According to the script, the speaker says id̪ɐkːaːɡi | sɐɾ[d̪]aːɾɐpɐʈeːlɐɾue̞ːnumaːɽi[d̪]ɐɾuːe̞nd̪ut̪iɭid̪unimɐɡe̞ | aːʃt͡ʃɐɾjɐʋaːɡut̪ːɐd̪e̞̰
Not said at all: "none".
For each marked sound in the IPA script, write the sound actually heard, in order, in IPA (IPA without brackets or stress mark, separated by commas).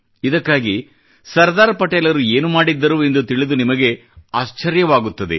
d̪, d̪ː